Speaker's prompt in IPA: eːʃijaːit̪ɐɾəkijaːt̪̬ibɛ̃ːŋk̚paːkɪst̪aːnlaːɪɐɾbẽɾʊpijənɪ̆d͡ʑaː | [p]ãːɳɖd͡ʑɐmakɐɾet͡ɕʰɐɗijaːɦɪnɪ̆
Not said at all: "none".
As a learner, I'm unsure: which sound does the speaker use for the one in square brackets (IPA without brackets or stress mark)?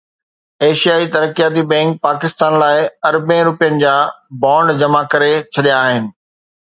b